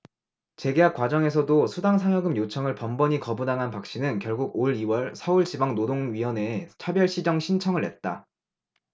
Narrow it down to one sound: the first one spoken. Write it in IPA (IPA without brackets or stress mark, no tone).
t͡ɕ